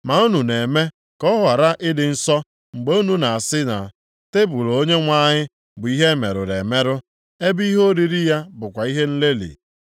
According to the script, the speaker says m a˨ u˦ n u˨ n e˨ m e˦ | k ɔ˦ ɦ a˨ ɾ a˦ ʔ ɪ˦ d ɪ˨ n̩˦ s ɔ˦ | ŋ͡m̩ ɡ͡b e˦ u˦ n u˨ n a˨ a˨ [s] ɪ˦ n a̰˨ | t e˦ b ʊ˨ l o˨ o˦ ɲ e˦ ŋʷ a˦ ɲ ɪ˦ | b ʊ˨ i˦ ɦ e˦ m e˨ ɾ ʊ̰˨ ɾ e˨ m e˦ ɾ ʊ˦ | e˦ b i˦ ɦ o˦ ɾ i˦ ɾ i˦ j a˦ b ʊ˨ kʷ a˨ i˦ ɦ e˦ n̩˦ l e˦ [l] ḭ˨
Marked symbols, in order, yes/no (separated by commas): yes, yes